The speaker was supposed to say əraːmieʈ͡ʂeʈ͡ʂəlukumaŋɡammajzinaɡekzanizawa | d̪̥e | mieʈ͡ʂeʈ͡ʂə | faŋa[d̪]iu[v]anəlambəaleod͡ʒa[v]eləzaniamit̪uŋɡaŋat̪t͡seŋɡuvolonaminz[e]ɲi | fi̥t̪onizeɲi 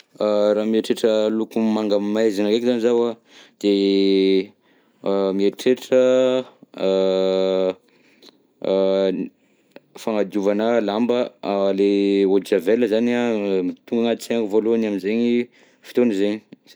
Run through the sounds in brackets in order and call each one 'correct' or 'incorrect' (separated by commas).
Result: correct, correct, correct, correct